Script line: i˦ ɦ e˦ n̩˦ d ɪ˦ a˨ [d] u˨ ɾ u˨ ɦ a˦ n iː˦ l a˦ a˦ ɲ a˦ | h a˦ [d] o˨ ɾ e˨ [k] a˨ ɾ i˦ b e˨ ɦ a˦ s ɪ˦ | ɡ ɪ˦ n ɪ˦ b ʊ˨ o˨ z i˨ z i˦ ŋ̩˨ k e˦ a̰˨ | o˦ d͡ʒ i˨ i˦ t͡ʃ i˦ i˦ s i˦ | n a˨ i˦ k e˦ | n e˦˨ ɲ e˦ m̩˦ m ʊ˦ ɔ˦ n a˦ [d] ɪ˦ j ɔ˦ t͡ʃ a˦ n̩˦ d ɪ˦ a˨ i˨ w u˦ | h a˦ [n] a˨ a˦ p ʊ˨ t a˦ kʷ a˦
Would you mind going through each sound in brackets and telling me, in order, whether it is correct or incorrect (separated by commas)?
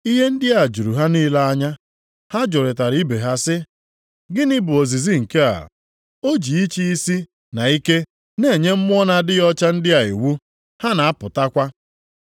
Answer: incorrect, incorrect, incorrect, correct, correct